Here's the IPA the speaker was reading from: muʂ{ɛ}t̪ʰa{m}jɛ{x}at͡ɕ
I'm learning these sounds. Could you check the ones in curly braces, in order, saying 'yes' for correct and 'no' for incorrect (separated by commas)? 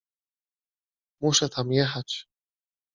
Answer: yes, yes, yes